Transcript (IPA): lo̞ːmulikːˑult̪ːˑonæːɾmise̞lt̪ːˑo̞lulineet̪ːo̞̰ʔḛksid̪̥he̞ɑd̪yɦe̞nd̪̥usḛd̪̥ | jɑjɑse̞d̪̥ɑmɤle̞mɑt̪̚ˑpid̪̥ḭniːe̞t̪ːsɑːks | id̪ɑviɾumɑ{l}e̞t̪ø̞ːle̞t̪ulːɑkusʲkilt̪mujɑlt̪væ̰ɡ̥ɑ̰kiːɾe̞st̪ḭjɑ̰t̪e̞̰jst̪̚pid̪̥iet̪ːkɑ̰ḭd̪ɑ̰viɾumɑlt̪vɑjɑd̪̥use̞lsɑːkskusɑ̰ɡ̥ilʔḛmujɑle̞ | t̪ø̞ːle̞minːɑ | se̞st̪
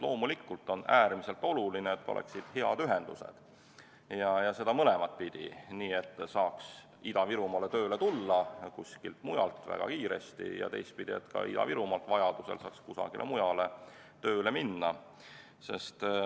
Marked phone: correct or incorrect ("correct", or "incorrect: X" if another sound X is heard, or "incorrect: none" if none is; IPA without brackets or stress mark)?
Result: correct